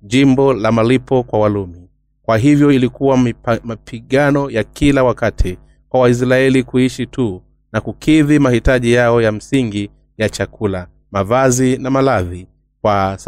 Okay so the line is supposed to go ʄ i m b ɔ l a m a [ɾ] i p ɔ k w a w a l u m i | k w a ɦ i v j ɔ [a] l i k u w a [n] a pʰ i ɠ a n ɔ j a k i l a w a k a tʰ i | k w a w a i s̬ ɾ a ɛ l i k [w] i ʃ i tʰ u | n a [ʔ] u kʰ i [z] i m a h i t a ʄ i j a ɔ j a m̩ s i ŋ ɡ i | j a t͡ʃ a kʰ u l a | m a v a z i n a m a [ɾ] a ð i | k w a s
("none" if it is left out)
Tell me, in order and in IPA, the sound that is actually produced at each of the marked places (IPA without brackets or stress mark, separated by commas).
l, i, m, u, k, ð, l